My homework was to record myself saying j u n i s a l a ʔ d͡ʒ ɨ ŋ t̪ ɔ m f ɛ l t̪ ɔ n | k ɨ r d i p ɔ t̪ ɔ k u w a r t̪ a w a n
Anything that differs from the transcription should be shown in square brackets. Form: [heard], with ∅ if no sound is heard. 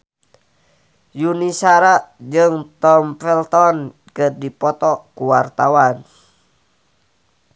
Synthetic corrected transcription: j u n i s a [ɾ] a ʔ d͡ʒ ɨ ŋ t̪ ɔ m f ɛ l t̪ ɔ n | k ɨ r d i p ɔ t̪ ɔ k u w a r t̪ a w a n